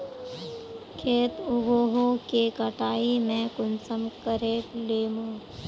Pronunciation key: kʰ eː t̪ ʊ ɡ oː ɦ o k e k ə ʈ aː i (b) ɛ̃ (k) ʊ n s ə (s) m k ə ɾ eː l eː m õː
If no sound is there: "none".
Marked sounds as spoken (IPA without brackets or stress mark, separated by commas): m, k, none